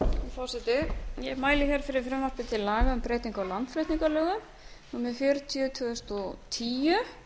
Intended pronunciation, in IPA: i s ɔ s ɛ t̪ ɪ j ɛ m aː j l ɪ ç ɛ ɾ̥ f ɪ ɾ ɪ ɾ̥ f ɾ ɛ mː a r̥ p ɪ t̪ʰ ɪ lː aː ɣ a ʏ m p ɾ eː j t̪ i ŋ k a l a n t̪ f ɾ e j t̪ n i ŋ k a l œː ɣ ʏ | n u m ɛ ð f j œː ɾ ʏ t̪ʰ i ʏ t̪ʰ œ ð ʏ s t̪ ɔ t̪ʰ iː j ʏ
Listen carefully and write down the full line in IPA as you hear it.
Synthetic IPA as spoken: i f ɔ s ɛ t̪ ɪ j ɛ m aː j l ɪ ç ɛ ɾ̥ f ɪ ɾ ɪ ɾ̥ f ɾ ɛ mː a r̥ p ɪ t̪ʰ ɪ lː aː ɣ a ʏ m p ɾ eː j t̪ i ŋ k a l a n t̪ f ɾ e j t̪ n i ŋ k a l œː ɣ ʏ | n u m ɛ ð f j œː ɾ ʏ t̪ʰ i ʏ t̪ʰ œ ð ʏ s t̪ ɔ t̪ʰ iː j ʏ